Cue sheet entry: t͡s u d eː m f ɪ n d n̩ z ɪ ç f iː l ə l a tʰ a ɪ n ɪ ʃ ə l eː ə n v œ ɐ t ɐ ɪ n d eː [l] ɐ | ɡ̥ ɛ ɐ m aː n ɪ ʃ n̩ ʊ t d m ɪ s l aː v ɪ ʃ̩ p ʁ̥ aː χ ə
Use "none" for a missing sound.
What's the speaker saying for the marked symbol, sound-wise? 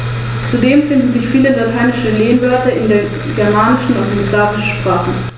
none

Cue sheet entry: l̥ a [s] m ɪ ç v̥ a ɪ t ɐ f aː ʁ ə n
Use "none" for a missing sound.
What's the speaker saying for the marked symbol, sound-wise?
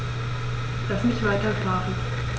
s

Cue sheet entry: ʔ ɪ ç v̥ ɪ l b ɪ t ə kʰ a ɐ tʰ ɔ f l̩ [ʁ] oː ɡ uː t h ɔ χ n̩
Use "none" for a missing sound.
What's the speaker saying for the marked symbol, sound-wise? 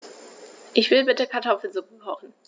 z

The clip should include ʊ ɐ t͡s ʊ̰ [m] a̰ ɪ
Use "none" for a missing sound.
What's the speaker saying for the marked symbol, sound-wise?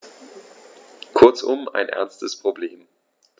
m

